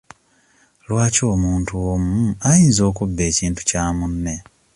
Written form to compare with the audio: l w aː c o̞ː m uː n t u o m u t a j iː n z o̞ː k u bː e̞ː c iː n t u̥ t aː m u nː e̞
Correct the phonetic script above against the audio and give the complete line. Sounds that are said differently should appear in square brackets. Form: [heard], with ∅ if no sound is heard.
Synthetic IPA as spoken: l w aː c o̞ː m uː n t u o m u [∅] a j iː n z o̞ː k u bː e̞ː c iː n t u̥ [c] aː m u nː e̞